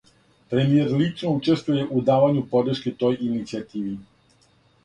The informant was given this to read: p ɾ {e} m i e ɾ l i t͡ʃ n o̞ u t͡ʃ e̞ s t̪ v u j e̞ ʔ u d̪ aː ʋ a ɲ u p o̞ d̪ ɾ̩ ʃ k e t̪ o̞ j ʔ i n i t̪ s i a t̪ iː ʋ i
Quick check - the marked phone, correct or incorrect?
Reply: correct